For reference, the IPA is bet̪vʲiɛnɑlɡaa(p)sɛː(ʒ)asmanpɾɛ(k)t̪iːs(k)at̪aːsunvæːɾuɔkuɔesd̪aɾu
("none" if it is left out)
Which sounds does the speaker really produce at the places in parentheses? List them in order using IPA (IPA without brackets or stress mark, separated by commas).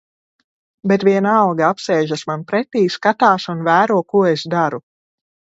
p, ʒ, none, k